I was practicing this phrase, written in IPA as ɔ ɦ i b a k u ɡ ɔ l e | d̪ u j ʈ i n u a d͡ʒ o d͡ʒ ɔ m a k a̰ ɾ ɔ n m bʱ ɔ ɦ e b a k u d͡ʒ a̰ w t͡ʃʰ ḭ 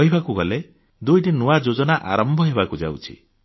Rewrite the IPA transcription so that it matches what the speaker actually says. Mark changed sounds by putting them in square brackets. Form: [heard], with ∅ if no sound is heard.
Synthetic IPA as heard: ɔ ɦ i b a k u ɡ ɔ l e | d̪ u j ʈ i n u a d͡ʒ o d͡ʒ ɔ [n] a [ʔ] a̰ ɾ ɔ [∅] m bʱ ɔ ɦ e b a k u d͡ʒ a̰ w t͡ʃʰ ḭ